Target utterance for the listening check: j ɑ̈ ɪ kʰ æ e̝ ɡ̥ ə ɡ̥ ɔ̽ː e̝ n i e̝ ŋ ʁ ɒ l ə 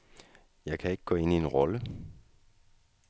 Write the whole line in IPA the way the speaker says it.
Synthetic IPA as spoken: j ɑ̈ ɪ kʰ æ e̝ ɡ̥ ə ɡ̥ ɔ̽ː e̝ n i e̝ n ʁ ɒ l ə